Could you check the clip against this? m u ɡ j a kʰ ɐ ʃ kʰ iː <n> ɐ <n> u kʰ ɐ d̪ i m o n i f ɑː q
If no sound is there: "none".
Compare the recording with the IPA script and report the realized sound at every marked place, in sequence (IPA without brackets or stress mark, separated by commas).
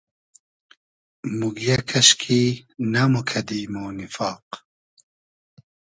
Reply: n, m